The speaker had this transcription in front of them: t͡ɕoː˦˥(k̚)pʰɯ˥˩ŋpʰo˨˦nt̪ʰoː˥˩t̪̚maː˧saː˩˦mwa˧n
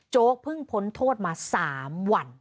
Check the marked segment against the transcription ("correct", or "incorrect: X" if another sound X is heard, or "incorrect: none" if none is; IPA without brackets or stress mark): correct